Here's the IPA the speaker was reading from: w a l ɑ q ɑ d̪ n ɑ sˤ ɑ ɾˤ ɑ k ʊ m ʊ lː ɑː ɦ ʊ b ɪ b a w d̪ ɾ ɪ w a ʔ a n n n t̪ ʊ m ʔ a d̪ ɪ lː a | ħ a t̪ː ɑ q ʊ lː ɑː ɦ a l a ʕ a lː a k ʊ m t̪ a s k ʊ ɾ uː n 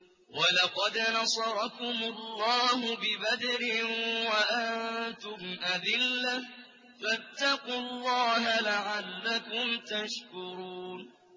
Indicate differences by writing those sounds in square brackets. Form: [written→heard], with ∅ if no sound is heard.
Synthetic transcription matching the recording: w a l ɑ q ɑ d̪ n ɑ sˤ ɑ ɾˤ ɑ k ʊ m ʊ lː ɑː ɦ ʊ b ɪ b a [w→∅] d̪ ɾ ɪ w a ʔ a n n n t̪ ʊ m ʔ a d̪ ɪ lː a | [ħ→f] a t̪ː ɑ q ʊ lː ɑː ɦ a l a ʕ a lː a k ʊ m t̪ a [s→ʃ] k ʊ ɾ uː n